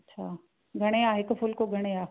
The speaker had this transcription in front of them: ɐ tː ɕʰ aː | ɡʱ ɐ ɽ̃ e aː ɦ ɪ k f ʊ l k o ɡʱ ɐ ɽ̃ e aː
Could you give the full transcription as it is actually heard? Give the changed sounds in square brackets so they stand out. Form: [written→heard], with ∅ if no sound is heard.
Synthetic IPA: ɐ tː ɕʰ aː | ɡʱ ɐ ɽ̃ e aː ɦ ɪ k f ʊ l k o ɡʱ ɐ ɽ̃ e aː